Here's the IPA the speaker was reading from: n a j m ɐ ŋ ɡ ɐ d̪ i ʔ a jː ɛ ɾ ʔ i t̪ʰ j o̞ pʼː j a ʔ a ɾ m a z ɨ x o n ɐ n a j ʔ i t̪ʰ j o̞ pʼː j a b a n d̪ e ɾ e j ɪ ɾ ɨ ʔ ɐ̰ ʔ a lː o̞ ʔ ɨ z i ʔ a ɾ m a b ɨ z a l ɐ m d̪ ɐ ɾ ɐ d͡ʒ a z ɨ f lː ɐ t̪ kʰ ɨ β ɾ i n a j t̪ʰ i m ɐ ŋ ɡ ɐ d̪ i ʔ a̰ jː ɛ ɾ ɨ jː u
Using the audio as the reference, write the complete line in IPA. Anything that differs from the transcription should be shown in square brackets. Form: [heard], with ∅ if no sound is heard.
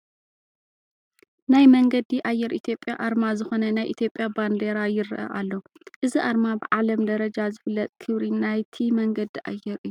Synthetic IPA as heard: n a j m ɐ ŋ ɡ ɐ d̪ i ʔ a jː ɛ ɾ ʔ i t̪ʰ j o̞ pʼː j a ʔ a ɾ m a z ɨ x o n ɐ n a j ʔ i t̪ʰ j o̞ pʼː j a b a n d̪ e ɾ [a] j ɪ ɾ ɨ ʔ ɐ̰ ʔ a lː o̞ ʔ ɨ z i ʔ a ɾ m a b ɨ [ʕ] a l ɐ m d̪ ɐ ɾ ɐ d͡ʒ a z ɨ f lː ɐ [t̪ʼ] kʰ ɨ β ɾ i n a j t̪ʰ i m ɐ ŋ ɡ ɐ d̪ i ʔ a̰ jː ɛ ɾ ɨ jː u